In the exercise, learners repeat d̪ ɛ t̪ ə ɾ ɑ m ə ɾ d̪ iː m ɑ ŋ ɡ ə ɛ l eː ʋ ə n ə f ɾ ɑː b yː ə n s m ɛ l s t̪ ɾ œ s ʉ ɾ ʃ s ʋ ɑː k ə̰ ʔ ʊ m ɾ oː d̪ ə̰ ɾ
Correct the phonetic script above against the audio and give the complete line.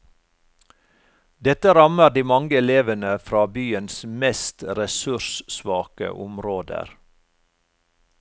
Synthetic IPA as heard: d̪ ɛ t̪ ə ɾ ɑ m ə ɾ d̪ iː m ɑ ŋ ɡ ə ɛ l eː ʋ ə n ə f ɾ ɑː b yː ə n s m ɛ s t̪ ɾ ɛ s ʉ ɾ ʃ s ʋ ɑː k ə̰ ʔ ʊ m ɾ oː d̪ ə̰ ɾ